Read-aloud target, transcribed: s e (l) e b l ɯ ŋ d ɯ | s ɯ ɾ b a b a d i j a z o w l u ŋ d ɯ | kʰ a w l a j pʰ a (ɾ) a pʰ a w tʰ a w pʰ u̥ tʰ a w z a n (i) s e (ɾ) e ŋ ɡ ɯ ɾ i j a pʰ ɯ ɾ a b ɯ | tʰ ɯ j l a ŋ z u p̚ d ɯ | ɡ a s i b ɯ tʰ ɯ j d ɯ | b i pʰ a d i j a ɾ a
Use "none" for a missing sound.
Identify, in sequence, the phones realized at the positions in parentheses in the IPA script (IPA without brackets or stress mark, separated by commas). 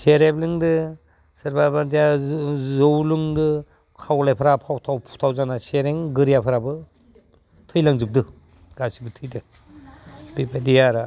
ɾ, ɾ, a, ɾ